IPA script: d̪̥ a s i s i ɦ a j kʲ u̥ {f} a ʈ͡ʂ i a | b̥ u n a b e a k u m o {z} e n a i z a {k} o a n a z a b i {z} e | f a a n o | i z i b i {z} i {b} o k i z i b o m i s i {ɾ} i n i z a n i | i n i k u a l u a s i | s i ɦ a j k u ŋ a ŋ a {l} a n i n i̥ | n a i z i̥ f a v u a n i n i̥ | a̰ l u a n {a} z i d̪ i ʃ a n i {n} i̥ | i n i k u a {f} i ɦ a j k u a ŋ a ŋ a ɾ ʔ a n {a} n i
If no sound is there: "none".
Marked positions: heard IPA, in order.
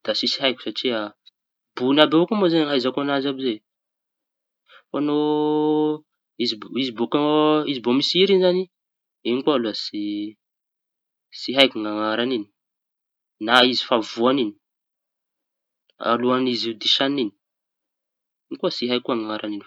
s, z, k, z, z, b, ɾ, ɾ, i, n, s, i

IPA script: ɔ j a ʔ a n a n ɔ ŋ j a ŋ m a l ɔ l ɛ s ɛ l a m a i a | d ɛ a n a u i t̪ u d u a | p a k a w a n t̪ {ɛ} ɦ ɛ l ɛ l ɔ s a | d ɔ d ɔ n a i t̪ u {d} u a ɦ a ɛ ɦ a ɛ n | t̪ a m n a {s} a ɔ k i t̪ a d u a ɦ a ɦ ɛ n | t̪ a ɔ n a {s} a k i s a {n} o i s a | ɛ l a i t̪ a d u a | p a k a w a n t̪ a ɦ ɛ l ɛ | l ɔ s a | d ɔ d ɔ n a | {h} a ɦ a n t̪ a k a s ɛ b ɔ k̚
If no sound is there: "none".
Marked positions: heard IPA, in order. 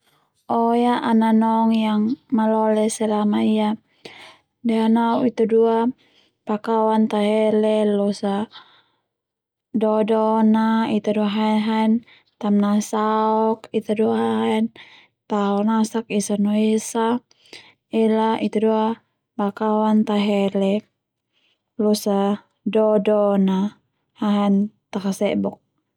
a, d, s, s, n, h

